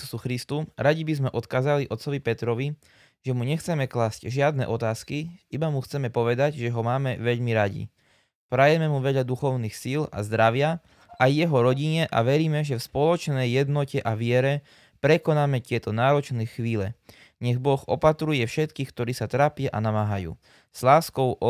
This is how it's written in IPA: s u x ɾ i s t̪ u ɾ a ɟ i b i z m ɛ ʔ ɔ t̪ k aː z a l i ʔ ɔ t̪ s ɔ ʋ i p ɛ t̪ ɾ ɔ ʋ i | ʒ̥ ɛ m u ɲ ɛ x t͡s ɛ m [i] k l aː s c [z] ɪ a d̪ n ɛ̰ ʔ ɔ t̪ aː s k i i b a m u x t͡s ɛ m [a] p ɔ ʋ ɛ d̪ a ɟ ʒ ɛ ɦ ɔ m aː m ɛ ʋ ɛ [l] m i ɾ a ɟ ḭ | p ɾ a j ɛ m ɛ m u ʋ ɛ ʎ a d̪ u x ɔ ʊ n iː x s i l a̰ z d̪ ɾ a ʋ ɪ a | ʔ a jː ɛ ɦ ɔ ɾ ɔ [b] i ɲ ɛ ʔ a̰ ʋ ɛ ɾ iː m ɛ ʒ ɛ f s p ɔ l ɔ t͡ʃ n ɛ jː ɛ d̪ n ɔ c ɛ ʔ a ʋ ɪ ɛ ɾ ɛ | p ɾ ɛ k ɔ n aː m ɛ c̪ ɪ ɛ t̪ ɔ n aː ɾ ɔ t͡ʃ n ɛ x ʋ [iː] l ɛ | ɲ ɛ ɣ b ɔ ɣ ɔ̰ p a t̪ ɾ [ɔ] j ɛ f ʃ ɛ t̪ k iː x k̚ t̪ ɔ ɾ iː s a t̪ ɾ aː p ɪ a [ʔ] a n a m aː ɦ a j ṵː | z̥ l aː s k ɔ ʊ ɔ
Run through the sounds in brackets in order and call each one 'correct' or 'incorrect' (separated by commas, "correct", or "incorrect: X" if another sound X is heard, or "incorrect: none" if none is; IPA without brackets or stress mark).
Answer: incorrect: ɛ, incorrect: ʒ, incorrect: ɛ, incorrect: ʎ, incorrect: ɟ, correct, incorrect: u, correct